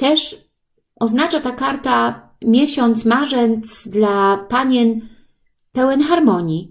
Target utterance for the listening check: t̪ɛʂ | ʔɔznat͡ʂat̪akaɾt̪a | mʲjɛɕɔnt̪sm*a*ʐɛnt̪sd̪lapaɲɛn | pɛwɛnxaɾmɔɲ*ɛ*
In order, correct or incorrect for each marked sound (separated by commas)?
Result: correct, incorrect